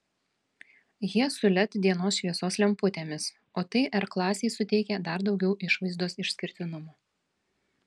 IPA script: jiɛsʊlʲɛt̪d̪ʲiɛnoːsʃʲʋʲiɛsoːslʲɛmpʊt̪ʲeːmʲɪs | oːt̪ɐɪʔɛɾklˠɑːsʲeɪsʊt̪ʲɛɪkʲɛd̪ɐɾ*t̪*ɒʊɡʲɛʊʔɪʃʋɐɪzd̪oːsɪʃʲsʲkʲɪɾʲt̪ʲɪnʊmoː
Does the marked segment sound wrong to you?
yes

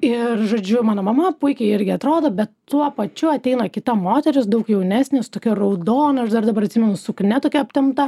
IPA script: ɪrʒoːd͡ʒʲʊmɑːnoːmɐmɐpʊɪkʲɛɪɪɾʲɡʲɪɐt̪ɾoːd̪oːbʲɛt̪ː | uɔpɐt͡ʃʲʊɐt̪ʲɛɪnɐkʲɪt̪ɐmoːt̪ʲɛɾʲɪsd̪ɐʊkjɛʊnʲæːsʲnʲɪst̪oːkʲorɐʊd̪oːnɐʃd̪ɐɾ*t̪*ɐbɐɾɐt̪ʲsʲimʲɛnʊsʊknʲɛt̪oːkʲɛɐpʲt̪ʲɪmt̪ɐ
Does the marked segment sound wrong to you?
yes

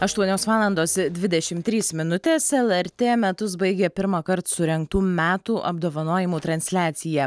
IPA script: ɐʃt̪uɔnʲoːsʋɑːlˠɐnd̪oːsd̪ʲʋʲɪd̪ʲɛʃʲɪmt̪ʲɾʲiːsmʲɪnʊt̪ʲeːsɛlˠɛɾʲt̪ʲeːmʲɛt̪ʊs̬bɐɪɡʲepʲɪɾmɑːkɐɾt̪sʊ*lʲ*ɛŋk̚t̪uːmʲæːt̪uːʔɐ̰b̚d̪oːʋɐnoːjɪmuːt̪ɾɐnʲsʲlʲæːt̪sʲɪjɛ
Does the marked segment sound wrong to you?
yes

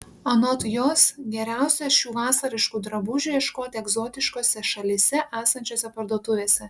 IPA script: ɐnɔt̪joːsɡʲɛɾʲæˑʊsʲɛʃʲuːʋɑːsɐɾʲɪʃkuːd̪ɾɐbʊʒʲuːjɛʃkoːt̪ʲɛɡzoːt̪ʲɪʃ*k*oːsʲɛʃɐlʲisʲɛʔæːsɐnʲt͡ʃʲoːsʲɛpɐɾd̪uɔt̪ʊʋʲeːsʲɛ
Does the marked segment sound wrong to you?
no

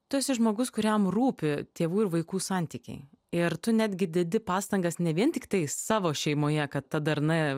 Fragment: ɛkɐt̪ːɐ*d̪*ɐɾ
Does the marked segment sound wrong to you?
no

